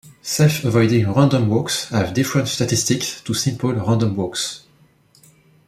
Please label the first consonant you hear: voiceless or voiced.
voiceless